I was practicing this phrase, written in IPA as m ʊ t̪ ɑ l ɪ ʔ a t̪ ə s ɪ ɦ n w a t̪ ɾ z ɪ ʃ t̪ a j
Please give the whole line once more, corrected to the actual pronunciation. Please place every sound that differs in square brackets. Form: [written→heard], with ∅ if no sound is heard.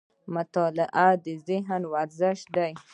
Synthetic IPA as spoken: m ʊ t̪ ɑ l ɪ ʔ a [t̪→d̪] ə [s→z] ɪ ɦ n w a [t̪→∅] ɾ z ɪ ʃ [t̪→d̪] a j